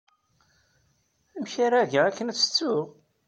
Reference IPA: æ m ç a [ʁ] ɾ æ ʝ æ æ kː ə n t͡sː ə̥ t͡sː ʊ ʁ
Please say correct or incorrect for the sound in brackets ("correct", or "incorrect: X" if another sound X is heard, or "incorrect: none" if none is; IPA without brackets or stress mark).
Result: incorrect: none